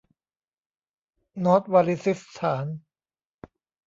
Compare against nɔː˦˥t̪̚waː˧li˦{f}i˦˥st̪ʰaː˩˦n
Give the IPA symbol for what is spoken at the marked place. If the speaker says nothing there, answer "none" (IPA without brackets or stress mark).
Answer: s